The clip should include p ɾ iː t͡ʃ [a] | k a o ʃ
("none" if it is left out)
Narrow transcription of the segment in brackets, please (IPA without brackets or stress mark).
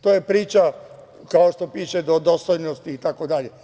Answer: a